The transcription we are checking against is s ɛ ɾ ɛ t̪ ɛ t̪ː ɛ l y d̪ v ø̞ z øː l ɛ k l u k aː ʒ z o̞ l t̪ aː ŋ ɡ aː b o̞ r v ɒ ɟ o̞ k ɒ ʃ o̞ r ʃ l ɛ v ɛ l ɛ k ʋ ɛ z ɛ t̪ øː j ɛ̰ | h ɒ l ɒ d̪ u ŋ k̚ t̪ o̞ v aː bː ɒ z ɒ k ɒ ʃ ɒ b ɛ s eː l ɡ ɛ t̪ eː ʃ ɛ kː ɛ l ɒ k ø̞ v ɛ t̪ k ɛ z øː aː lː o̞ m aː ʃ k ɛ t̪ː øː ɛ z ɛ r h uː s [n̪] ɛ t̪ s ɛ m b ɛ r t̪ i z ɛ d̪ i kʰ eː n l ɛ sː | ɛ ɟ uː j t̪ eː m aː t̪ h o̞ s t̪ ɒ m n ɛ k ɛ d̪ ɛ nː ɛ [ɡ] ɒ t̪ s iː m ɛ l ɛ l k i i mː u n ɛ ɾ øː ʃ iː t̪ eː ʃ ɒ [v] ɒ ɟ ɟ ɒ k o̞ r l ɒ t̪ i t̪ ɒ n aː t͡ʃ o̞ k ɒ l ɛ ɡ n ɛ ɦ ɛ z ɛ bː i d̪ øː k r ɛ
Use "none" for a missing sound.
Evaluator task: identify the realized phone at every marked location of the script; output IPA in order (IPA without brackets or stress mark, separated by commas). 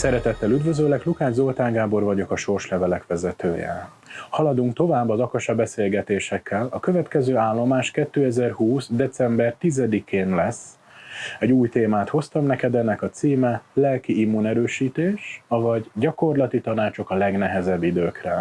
d̪, k, v